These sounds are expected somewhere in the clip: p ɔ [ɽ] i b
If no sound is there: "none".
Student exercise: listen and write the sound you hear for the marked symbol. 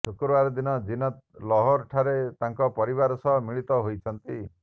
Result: ɾ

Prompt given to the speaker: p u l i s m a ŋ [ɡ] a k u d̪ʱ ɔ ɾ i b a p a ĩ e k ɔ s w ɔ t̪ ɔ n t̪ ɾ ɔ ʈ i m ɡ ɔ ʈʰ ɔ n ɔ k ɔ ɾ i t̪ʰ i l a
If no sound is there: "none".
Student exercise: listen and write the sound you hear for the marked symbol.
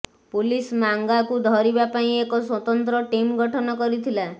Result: ɡ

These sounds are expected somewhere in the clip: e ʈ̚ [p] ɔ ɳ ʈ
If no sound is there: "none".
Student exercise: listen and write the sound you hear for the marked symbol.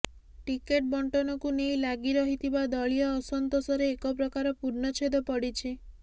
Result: b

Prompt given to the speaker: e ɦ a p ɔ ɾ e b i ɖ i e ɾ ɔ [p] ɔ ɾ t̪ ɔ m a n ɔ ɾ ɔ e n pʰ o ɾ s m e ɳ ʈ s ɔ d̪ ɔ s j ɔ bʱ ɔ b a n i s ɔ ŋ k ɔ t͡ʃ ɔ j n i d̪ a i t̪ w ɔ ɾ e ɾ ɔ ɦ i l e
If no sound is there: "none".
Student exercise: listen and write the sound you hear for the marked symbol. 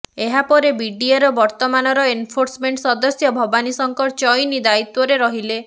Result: b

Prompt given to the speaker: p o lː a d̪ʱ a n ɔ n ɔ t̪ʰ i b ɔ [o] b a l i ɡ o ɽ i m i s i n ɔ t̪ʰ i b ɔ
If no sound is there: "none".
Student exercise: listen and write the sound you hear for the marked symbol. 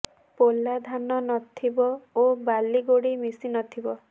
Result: o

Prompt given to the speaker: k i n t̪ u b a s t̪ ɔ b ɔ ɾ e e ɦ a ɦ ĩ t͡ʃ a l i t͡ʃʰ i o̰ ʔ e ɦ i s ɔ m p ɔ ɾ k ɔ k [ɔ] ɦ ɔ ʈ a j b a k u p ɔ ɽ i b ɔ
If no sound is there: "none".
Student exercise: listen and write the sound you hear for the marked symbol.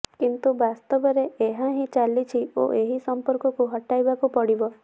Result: u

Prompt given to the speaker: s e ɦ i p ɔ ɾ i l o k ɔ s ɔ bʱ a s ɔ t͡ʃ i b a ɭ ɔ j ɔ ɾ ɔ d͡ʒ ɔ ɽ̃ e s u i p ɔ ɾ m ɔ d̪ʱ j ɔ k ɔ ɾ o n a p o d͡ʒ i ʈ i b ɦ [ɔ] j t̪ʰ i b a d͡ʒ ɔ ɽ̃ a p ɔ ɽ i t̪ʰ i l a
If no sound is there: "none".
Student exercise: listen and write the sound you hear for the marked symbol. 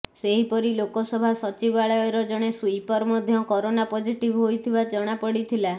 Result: o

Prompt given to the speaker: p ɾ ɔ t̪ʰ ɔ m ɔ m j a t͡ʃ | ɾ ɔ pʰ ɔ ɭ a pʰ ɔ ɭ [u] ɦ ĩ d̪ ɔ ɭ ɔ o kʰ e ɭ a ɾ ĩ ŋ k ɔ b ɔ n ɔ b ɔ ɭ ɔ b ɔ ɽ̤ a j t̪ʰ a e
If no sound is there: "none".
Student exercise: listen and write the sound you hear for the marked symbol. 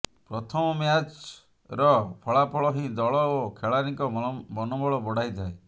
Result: ɔ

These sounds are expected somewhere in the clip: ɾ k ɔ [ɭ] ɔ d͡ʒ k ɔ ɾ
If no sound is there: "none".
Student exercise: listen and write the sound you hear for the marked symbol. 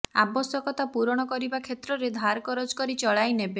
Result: ɾ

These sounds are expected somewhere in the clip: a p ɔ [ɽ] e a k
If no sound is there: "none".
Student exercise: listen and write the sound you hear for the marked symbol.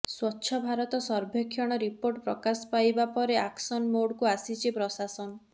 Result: ɾ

